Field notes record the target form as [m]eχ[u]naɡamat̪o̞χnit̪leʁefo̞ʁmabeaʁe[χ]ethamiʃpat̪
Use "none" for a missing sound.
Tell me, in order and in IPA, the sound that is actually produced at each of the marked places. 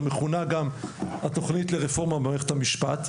m, u, χ

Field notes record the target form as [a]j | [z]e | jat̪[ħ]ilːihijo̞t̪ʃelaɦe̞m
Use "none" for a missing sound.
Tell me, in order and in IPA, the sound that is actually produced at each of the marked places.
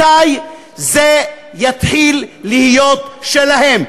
a, z, ħ

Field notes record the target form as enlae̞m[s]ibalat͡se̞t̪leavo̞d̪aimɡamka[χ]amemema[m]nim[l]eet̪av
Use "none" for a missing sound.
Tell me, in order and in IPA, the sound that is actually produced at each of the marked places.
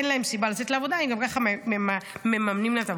s, χ, m, l

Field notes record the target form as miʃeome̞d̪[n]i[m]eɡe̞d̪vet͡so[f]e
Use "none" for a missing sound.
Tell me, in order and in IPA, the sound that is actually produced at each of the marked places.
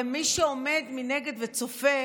m, n, f

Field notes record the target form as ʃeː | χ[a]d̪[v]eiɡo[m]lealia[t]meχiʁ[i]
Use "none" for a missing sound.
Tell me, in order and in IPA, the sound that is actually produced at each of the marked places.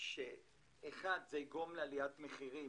a, z, m, t, i

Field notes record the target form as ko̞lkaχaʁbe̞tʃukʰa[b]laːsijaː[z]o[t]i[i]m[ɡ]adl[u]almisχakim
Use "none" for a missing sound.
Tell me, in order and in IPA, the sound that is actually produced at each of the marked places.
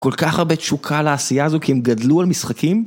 none, z, k, e, ɡ, u

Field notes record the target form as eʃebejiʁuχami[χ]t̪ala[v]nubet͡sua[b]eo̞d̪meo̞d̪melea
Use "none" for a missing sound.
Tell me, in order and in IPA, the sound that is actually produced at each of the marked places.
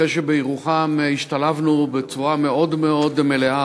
ʃ, v, m

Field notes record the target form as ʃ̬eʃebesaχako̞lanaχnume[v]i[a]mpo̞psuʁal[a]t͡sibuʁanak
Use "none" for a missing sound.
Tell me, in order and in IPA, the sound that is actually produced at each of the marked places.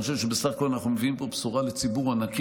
v, i, e

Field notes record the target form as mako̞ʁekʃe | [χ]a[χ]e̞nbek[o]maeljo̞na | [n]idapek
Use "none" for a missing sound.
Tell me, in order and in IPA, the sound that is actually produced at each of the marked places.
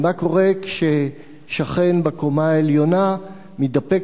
ʃ, χ, o, m

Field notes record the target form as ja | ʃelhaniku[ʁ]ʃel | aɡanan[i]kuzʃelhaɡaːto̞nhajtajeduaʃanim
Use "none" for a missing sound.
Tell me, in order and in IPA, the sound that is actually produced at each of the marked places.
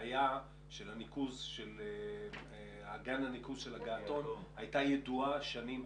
z, i

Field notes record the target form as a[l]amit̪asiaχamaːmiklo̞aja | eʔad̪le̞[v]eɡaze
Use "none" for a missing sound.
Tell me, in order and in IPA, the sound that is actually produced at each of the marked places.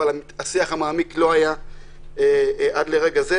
l, ʁ

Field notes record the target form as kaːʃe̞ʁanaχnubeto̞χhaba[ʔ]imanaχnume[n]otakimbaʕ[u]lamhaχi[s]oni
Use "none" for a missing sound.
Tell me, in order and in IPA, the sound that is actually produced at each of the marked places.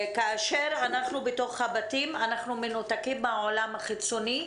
t, n, o, t͡s

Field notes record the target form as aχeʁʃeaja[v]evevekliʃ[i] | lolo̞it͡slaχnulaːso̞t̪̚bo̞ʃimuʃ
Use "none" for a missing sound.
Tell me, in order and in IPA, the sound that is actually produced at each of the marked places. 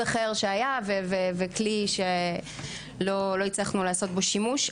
v, e

